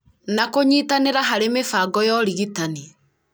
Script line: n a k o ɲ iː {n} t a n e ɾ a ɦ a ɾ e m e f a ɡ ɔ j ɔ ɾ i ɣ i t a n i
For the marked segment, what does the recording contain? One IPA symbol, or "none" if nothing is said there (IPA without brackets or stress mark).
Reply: none